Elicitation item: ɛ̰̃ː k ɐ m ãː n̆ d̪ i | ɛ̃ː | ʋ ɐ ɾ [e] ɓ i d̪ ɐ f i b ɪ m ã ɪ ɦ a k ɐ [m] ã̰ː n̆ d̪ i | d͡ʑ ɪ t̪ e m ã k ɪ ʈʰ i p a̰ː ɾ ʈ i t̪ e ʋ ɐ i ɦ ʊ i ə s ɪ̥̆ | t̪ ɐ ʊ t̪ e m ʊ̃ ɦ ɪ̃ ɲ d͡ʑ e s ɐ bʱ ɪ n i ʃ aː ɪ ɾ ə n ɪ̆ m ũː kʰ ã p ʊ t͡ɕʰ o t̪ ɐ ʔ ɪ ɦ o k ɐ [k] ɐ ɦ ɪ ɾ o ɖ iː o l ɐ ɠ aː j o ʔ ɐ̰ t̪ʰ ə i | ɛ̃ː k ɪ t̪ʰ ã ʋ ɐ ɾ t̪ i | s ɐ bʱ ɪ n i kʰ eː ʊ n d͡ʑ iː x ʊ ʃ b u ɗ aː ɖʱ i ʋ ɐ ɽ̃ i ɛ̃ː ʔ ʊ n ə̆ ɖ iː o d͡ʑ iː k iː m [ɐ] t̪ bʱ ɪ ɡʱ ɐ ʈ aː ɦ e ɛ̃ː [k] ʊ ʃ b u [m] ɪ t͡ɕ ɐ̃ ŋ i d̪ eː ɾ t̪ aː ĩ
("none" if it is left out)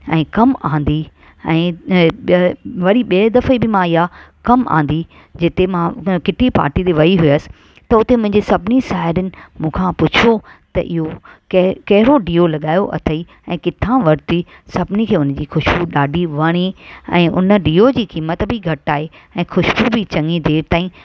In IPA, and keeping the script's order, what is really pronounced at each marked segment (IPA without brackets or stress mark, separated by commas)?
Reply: i, m, k, ə, x, b